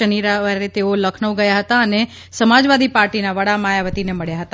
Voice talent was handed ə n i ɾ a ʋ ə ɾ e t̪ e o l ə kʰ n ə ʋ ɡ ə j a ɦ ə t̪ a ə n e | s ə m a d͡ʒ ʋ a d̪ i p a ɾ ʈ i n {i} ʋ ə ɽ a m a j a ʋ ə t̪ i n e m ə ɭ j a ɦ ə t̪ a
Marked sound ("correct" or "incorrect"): incorrect